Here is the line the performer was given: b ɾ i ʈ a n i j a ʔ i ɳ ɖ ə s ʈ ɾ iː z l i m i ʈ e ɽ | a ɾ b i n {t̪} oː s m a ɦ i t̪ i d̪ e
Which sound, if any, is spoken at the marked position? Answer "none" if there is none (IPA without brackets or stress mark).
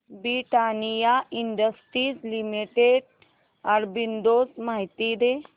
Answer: d̪